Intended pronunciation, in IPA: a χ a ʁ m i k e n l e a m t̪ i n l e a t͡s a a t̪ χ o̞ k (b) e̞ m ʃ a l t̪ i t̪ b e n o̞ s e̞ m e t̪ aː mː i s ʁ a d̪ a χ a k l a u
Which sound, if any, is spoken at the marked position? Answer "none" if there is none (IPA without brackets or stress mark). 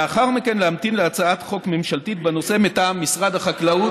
m